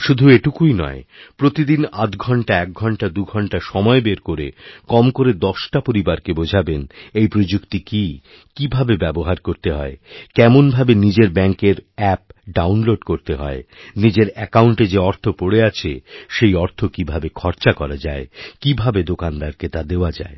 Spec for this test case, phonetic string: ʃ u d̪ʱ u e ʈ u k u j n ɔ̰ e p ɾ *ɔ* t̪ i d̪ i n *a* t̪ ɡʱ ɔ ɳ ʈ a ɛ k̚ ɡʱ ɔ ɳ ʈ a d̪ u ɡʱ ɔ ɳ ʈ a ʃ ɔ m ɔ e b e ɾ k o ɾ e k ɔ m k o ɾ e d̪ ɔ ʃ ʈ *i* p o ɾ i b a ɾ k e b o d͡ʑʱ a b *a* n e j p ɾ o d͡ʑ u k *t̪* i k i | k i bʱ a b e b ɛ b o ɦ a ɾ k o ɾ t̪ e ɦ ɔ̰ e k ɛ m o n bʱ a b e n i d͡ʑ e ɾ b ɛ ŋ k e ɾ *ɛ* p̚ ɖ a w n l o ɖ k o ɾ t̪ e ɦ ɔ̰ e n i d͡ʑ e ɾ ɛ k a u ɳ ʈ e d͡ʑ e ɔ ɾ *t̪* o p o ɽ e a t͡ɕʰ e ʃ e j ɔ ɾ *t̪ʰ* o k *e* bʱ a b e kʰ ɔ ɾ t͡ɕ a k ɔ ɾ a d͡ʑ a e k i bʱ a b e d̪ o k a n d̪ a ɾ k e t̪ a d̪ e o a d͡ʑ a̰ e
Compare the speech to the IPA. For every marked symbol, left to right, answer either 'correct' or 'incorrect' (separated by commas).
incorrect, correct, incorrect, incorrect, correct, correct, incorrect, correct, incorrect